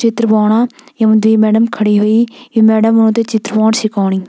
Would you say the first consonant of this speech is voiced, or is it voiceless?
voiceless